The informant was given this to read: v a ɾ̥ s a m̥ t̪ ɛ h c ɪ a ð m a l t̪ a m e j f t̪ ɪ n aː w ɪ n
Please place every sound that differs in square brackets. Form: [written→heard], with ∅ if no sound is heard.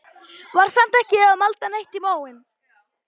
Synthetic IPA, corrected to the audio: v a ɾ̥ s a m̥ t̪ ɛ h c ɪ a ð m a l t̪ a [m→n] e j [f→h] t̪ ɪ [n→m] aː w ɪ n